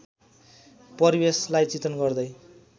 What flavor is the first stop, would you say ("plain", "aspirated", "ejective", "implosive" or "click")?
plain